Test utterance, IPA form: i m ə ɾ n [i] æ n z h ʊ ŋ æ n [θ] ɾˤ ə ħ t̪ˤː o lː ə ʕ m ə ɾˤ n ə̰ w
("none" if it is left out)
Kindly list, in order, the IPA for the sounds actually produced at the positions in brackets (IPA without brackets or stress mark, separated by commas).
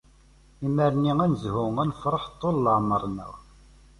i, f